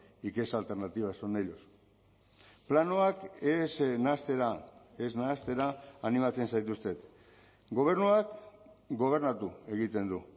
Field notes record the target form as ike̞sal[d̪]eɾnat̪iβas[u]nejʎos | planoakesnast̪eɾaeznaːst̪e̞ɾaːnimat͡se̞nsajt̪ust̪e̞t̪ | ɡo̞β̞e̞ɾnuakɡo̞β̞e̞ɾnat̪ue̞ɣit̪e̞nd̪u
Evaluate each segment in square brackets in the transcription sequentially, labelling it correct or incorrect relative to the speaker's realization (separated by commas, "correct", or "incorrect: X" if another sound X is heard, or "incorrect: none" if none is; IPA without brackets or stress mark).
incorrect: t̪, incorrect: o